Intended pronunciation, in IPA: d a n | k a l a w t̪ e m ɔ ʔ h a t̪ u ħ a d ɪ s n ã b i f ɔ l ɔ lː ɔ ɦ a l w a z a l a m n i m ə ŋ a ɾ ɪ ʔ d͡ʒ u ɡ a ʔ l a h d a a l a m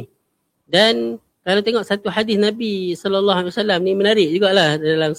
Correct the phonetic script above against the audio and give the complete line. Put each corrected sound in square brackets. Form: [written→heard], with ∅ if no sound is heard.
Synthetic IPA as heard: d a n | k a l a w t̪ e [m→ŋ] ɔ ʔ [h→s] a t̪ u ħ a d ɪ s n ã b i [f→s] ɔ l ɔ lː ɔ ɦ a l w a [z→s] a l a m n i m ə [ŋ→n] a ɾ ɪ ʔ d͡ʒ u ɡ a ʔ l a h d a a l a m